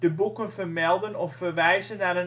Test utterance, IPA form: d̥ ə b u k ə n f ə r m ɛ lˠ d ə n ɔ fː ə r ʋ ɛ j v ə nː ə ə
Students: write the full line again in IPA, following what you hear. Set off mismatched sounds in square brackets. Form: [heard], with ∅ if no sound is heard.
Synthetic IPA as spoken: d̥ ə b u k ə n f ə r m ɛ lˠ d ə n ɔ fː ə r ʋ ɛ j [z] ə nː [a] ə